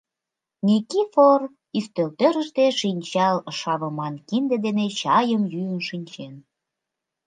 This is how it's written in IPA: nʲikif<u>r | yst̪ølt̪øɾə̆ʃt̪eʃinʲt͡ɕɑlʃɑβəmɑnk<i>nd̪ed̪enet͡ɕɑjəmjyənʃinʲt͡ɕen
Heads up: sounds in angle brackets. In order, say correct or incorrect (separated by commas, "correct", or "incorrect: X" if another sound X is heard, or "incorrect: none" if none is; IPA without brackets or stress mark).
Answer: incorrect: o, correct